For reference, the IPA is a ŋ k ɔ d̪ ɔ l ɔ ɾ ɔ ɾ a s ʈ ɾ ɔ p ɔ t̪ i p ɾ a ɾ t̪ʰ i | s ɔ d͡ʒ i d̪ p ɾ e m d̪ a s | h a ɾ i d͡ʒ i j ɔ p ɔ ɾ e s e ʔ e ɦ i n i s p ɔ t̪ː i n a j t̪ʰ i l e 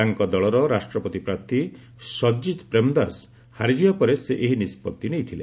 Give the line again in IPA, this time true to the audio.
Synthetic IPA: a ŋ k ɔ d̪ ɔ ɭ ɔ ɾ ɔ ɾ a s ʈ ɾ ɔ p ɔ t̪ i p ɾ a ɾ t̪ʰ i | s ɔ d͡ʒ i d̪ p ɾ e m d̪ a s | h a ɾ i d͡ʒ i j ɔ p ɔ ɾ e s e ʔ e ɦ i n i s p ɔ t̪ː i n e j t̪ʰ i l e